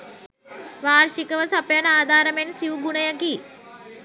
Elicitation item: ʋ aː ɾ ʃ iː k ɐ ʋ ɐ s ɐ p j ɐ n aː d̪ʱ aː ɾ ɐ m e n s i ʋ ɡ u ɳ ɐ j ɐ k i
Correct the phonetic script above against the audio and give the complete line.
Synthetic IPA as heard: ʋ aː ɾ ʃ i k ɐ ʋ ɐ s ɐ p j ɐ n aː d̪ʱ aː ɾ ɐ m e n s i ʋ ɡ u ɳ ɐ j ɐ k i

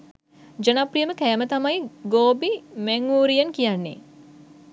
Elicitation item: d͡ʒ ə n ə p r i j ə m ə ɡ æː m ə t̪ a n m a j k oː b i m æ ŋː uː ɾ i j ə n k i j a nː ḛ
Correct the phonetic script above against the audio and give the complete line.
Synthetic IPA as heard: d͡ʒ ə n a p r i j ə m ə k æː m ə t̪ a m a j ɡ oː b i m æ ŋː uː ɾ i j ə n k i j a nː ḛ

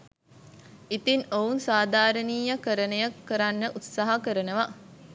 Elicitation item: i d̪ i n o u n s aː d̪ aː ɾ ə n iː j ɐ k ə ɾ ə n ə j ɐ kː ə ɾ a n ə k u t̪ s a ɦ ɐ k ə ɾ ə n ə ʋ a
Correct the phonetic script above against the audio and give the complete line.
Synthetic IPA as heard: i t̪ i n o u n s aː d̪ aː ɾ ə n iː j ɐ k ə ɾ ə n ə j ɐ kː ə ɾ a nː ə ʔ u t̪ s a ɦ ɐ k ə ɾ ə n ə ʋ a

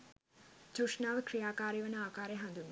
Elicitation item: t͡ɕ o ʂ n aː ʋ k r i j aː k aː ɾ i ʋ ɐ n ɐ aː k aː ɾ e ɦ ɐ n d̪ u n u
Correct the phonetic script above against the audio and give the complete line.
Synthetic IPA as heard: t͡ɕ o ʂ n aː ʋ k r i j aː k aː ɾ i ʋ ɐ n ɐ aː k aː ɾ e ɦ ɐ n d̪ u n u

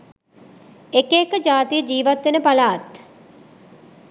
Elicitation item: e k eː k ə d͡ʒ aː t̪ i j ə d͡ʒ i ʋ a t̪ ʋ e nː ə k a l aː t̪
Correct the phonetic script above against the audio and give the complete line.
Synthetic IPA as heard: e k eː k ə d͡ʒ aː t̪ i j ə d͡ʒ iː ʋ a t̪ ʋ e n ə p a l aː t̪

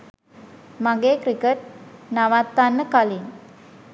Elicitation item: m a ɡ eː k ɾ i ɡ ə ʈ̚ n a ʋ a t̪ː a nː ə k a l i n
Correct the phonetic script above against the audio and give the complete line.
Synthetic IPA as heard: m a ɡ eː k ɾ i k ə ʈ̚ n a ʋ a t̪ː a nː ə k a l i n

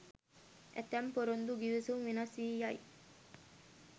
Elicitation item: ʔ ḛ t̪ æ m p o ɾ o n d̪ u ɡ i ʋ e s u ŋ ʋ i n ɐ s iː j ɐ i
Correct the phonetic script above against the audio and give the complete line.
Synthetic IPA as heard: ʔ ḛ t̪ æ m p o ɾ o n d̪ u ɡ i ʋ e s u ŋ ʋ i n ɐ s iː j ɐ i

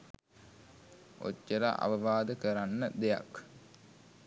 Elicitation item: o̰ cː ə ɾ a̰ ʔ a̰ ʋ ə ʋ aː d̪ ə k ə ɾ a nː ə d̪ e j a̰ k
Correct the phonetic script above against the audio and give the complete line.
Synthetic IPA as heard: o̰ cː ə ɾ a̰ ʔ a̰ ʋ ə ʋ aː d̪ ə k ə ɾ a nː ə d̪ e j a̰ k

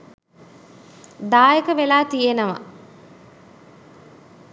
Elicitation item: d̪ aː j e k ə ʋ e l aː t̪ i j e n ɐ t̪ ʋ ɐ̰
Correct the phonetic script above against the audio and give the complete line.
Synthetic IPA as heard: d̪ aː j e k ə ʋ e l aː t̪ i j e n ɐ ʋ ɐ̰

